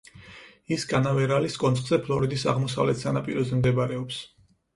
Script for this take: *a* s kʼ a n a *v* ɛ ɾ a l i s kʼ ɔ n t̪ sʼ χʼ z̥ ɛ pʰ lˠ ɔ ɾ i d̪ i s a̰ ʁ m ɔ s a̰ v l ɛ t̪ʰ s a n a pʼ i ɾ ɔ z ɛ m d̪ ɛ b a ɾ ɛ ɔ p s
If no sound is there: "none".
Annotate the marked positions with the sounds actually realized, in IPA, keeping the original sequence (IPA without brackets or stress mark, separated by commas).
i, v